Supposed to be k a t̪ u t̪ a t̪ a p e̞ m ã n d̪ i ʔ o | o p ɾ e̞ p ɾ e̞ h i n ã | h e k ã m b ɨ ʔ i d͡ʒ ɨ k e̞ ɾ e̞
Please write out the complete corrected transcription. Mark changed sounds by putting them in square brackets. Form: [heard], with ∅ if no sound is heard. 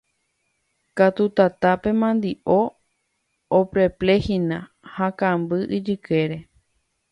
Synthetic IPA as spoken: k a t̪ u t̪ a t̪ a p e̞ m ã n d̪ i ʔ o | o p ɾ e̞ p [l] e̞ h i n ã | h [a] k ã m b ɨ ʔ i d͡ʒ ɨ k e̞ ɾ e̞